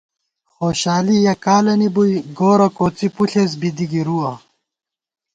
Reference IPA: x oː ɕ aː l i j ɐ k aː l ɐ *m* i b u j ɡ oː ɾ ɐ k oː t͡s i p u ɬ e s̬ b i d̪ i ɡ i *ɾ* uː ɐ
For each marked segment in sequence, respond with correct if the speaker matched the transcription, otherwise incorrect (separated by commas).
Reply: incorrect, correct